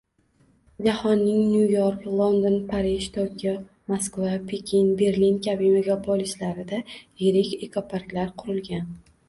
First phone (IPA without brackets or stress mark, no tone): d͡ʒ